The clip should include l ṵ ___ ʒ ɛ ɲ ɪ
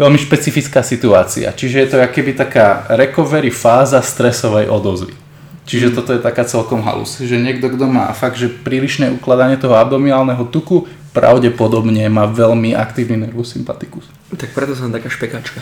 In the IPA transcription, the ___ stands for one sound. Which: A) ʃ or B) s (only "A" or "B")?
B